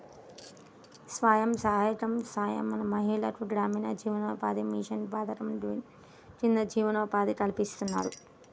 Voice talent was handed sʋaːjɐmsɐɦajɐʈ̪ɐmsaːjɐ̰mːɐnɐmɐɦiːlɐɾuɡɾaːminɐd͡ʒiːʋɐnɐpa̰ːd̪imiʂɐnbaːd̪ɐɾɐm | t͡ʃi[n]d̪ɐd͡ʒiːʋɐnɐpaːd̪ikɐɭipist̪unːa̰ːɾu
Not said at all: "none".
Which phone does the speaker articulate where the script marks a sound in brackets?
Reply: n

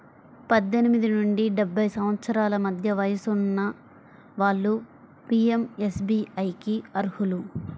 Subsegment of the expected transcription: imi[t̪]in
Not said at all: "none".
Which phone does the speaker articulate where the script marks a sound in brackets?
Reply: d̪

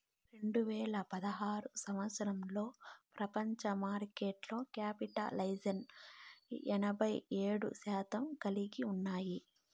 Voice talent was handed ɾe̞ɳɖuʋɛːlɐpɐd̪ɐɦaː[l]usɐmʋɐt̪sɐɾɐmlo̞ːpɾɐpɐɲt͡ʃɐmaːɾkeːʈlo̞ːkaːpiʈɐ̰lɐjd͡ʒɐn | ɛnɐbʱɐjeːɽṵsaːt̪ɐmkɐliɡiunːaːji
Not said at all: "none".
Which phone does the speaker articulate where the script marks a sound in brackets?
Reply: ɾ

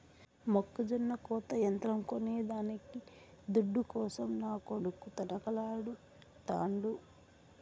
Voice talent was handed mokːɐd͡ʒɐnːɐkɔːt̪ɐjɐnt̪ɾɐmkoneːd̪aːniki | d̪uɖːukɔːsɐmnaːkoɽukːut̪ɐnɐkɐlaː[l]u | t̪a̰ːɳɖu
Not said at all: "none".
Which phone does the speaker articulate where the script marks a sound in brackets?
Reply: ɽ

